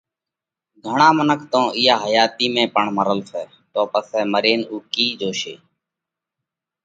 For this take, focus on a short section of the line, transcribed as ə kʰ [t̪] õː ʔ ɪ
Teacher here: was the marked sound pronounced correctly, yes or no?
yes